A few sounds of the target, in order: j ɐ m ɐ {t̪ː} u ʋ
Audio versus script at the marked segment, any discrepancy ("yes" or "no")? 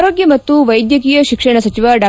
no